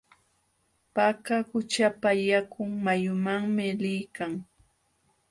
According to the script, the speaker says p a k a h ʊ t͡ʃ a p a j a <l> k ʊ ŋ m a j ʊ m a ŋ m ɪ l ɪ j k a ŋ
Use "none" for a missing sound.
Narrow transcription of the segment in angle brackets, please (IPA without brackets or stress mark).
none